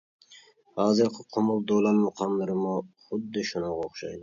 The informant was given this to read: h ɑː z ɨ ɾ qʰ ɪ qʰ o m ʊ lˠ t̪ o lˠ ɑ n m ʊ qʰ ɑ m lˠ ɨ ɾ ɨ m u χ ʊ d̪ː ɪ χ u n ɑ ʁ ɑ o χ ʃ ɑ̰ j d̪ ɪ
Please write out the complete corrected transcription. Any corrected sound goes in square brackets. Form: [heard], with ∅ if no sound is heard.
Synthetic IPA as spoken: h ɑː z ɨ ɾ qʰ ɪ qʰ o m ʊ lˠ [d̪] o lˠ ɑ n m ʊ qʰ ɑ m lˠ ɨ ɾ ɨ m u χ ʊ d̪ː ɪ [ʃ] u n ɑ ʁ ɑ o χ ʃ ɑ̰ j d̪ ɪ